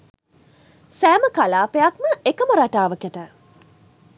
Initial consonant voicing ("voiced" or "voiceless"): voiceless